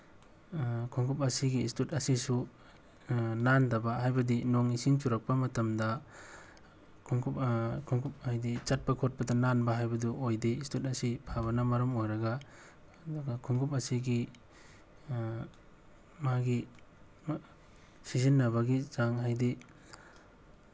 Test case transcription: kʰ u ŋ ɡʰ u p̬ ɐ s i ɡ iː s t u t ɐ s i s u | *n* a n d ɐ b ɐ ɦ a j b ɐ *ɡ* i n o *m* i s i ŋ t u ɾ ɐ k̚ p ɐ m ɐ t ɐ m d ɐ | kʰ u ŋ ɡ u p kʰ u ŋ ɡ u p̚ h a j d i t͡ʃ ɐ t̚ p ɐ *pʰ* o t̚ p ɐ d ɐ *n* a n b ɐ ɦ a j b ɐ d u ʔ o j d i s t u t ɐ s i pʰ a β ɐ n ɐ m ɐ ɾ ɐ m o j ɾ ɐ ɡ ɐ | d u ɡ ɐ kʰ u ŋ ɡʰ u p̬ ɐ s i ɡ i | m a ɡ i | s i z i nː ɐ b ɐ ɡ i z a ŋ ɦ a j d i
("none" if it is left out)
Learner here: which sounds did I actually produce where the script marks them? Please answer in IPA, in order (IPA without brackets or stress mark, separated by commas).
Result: n, d, ŋ, kʰ, n